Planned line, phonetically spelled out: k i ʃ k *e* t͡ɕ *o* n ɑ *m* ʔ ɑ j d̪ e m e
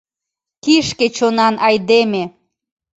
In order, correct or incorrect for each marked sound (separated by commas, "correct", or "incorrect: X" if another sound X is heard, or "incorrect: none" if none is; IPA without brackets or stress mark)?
correct, correct, incorrect: n